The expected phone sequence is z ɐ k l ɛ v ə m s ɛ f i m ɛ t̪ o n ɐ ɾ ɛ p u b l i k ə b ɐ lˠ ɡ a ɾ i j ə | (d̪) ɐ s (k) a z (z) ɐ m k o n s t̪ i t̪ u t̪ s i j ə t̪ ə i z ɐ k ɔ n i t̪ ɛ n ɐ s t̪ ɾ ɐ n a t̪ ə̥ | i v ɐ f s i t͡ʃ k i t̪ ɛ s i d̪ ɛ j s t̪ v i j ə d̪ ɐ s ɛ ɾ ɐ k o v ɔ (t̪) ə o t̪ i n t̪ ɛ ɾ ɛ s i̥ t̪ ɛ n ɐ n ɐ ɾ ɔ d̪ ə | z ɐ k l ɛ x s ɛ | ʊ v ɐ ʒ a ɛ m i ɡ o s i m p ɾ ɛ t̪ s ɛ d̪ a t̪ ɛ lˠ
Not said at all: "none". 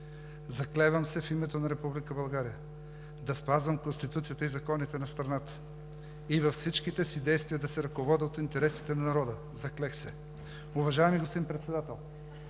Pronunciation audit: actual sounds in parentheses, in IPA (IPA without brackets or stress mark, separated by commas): d̪, p, v, d̪